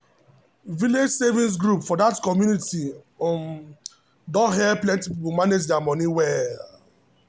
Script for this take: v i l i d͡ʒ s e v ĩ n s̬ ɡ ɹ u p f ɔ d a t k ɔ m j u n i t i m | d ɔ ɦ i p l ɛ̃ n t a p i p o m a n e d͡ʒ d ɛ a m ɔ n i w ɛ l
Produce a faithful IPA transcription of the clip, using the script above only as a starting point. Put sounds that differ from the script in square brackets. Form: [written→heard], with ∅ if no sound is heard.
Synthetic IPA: v i l [i→e] d͡ʒ s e v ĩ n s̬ ɡ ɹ u p f ɔ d a t k ɔ m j u n i t i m | d ɔ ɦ [i→ɛ] p l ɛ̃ n t [a→i] p i p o m a n e d͡ʒ d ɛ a m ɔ n i w ɛ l

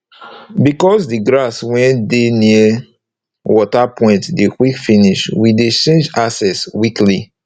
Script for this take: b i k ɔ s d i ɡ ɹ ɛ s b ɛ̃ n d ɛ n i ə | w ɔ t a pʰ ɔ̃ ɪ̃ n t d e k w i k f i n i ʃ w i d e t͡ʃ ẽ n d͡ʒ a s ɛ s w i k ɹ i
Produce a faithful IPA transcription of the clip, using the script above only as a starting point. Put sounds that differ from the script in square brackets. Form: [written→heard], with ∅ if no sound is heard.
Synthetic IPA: b i k ɔ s d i ɡ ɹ [ɛ→a] s [b→w] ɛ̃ n d [ɛ→e] n i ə | w ɔ t a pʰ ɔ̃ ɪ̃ n t d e k w i k f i n i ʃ w i d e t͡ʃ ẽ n d͡ʒ a s ɛ s w i k [ɹ→l] i

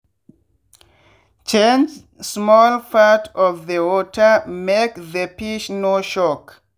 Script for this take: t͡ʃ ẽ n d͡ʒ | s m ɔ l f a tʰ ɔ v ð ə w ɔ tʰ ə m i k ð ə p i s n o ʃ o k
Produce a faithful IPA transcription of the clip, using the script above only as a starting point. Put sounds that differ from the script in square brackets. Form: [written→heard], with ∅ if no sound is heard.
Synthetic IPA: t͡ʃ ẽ n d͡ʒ | s m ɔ l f a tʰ ɔ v ð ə w ɔ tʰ ə m [i→e] k ð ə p i [s→ʃ] n o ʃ [o→ɔ] k

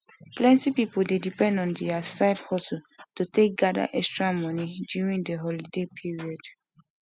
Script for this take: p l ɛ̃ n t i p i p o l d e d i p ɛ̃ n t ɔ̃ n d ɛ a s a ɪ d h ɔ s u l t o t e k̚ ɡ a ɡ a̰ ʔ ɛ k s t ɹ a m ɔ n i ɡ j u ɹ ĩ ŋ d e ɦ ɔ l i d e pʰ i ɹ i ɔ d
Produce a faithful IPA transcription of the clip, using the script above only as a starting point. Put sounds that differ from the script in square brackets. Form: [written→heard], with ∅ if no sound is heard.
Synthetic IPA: p l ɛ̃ n t i p i p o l d e d i p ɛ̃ n [t→d] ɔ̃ n d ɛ a s a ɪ d h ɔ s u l t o t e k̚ ɡ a [ɡ→d] a̰ ʔ ɛ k s t ɹ a m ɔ n i [ɡ→d] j u ɹ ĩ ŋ d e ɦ ɔ l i d e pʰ i ɹ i ɔ d

